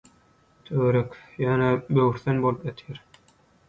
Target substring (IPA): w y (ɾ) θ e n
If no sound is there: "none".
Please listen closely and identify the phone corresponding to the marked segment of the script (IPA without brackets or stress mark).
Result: ɾ